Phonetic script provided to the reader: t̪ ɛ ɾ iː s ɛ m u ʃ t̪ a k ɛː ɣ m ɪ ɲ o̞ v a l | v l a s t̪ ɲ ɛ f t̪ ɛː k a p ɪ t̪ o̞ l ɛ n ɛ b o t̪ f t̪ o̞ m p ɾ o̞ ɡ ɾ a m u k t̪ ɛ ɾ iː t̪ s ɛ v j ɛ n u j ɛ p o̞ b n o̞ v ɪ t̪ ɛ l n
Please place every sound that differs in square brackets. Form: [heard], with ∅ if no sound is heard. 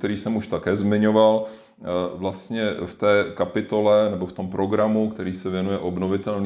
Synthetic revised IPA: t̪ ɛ ɾ iː s ɛ m u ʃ t̪ a k ɛː [z] m ɪ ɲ o̞ v a l | v l a s t̪ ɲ ɛ f t̪ ɛː k a p ɪ t̪ o̞ l ɛ n ɛ b o [∅] f t̪ o̞ m p ɾ o̞ ɡ ɾ a m u k t̪ ɛ ɾ iː [∅] s ɛ v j ɛ n u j ɛ [ʔ] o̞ b n o̞ v ɪ t̪ ɛ l n